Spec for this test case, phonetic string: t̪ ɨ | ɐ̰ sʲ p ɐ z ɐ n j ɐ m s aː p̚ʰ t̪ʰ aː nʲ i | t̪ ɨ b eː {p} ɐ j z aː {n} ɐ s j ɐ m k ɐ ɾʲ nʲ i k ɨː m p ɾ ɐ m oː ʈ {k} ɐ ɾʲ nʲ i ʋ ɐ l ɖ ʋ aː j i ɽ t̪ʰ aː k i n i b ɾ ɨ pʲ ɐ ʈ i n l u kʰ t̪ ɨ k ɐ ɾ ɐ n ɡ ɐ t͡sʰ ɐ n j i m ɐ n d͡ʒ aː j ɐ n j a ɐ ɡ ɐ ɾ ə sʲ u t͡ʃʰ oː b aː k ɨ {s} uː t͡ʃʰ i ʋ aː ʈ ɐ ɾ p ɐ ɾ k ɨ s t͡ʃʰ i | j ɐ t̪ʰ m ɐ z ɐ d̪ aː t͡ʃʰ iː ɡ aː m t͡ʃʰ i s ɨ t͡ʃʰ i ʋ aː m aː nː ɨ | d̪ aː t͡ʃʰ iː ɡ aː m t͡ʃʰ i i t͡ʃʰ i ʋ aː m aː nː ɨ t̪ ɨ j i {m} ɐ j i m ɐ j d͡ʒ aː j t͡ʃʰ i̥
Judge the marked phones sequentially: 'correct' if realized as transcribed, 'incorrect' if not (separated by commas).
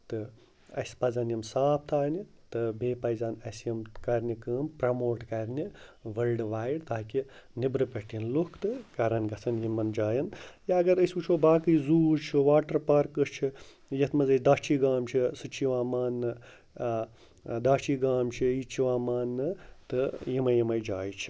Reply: correct, correct, correct, incorrect, correct